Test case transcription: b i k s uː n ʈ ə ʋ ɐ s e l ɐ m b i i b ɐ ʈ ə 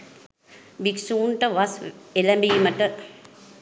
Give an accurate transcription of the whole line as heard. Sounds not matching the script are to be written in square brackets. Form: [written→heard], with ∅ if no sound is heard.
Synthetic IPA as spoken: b i k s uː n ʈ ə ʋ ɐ s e l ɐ m b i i [b→m] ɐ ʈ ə